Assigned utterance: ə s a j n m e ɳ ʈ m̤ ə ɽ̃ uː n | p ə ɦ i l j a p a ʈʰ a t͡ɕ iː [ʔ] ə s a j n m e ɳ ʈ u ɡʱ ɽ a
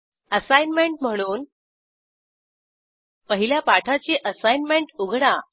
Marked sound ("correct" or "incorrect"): correct